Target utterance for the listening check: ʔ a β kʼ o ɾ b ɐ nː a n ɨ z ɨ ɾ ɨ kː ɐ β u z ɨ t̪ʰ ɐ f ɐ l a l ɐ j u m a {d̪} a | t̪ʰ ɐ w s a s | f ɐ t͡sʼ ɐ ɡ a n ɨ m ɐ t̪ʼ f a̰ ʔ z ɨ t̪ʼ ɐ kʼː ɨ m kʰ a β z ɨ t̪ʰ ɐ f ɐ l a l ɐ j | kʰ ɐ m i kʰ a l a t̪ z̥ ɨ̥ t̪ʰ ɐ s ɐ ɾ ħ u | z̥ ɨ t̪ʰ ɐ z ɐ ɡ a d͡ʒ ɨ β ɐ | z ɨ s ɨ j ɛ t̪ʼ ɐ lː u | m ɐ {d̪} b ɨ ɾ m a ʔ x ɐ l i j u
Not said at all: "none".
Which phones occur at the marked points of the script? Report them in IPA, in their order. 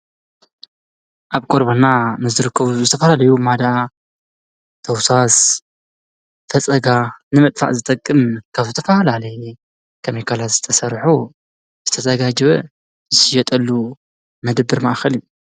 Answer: d̪, d̪

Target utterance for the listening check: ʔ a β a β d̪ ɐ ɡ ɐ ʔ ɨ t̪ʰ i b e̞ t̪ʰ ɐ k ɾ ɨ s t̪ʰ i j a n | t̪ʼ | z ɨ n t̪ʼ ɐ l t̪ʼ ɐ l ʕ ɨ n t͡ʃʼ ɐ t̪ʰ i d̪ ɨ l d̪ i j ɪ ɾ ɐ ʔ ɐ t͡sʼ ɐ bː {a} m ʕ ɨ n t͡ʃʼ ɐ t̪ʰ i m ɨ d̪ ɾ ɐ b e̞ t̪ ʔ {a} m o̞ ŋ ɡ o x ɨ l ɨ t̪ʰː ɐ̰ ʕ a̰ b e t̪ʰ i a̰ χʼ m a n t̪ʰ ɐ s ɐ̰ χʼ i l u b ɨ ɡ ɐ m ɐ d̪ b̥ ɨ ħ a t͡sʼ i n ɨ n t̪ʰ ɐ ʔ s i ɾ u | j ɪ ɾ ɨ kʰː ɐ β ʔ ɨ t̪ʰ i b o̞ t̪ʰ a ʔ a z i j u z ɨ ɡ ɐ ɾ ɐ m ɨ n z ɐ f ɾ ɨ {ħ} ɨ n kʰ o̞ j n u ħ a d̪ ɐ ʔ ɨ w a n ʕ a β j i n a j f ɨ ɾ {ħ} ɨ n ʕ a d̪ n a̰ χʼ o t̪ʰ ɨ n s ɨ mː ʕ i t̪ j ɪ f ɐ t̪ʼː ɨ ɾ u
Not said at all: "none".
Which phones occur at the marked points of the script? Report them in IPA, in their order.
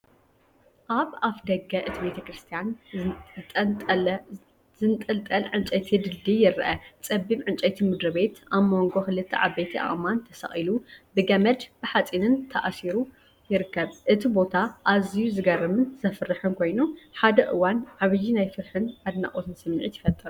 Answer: i, a, ħ, ħ

